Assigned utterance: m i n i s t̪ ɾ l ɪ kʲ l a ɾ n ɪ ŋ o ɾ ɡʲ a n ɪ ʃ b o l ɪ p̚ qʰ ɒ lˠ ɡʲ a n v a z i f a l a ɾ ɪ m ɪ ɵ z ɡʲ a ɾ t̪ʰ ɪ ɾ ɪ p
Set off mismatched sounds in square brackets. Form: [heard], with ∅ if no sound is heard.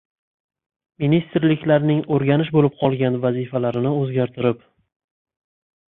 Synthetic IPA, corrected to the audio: m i n i s t̪ ɾ l ɪ kʲ l a ɾ n ɪ ŋ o ɾ ɡʲ a n ɪ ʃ b o l ɪ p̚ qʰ ɒ lˠ ɡʲ a n v a z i f a l a ɾ ɪ [n] ɪ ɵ z ɡʲ a ɾ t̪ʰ ɪ ɾ ɪ p